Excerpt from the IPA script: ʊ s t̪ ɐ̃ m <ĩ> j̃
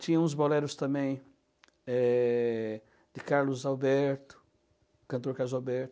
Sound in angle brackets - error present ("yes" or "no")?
yes